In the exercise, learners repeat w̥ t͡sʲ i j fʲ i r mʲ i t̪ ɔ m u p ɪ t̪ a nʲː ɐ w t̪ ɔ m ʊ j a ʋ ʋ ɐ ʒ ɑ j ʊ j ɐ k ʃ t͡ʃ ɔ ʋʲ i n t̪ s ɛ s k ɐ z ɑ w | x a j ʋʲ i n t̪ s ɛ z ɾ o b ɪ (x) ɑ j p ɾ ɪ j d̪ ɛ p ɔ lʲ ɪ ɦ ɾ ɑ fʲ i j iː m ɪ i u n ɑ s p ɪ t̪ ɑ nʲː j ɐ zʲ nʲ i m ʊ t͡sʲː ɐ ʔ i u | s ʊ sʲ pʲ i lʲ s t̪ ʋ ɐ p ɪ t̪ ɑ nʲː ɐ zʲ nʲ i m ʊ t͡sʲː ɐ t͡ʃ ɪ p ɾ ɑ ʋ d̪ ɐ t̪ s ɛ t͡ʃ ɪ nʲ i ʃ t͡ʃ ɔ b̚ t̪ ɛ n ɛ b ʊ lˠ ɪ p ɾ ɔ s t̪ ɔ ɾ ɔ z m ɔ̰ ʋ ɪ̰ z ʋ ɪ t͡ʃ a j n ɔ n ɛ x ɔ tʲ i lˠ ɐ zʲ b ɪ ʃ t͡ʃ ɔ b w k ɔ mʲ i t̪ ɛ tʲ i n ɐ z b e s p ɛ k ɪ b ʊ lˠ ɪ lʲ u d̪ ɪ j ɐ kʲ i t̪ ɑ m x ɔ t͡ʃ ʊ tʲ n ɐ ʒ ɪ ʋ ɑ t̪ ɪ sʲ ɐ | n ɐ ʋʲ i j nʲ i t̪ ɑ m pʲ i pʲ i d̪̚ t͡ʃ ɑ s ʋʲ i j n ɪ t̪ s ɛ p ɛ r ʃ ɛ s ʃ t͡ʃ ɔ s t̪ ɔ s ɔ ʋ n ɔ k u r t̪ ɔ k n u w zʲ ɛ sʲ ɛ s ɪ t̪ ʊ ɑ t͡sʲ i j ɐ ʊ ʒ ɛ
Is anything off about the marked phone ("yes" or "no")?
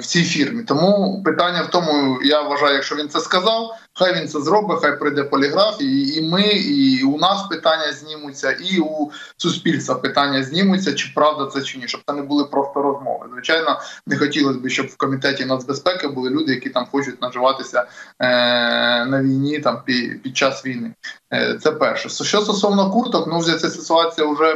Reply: no